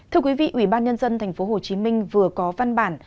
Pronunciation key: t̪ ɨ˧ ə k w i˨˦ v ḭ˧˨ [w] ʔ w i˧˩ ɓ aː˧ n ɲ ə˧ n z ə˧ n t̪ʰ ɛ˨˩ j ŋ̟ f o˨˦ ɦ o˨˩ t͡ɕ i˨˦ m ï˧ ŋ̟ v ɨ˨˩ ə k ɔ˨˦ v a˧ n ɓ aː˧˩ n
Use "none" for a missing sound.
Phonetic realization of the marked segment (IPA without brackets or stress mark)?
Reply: none